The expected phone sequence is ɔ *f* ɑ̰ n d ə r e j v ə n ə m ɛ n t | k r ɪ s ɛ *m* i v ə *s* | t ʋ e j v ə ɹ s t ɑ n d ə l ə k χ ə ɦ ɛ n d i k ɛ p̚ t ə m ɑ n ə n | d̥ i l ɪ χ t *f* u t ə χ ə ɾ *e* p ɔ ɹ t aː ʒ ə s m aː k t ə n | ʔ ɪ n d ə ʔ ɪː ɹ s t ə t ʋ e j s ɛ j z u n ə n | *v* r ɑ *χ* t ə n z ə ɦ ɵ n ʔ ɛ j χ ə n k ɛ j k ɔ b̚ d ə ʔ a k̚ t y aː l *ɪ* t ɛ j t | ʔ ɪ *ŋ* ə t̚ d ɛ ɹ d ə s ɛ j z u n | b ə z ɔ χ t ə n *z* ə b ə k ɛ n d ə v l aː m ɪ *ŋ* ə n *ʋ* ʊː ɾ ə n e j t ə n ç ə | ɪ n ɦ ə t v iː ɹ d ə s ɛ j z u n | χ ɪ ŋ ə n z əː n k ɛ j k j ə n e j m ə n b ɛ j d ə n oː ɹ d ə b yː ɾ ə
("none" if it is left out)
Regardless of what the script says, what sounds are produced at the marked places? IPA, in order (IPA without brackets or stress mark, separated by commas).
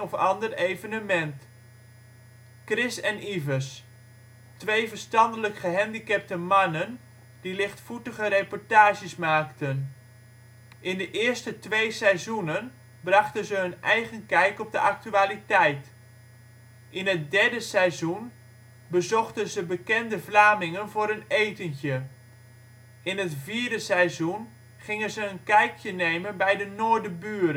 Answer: f, n, s, f, e, b, χ, i, n, z, ŋ, v